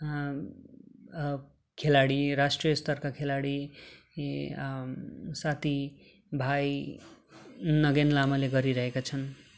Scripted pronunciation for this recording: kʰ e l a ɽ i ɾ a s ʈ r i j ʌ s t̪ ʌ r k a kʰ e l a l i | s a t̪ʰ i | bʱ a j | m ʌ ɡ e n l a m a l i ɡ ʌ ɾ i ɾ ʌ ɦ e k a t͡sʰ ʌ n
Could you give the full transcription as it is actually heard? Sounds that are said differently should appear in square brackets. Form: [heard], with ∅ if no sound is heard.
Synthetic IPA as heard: kʰ e l a ɽ i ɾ a s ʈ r i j ʌ s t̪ ʌ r k a kʰ e l a [ɽ] i | s a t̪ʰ i | bʱ a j | [n] ʌ ɡ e n l a m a l [e] ɡ ʌ ɾ i ɾ ʌ ɦ e k a t͡sʰ ʌ n